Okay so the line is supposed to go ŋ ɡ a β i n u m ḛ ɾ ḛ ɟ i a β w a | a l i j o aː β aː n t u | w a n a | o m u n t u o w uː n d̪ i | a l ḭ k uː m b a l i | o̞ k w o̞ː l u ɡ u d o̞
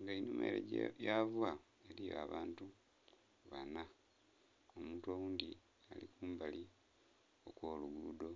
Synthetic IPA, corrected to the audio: ŋ ɡ a i n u m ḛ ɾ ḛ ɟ j a v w a | e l i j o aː β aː n t u | β a n a | o m uː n t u o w uː n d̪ i | a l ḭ k uː m b a l i | o̞ k w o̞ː l u ɡ u d o̞